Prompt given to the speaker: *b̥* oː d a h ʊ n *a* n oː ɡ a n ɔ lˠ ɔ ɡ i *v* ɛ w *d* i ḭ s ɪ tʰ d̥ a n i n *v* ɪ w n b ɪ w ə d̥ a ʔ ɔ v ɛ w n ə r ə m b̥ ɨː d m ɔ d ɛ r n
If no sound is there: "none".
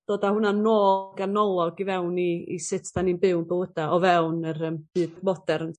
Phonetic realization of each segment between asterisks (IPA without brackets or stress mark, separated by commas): d̥, a, v, n, b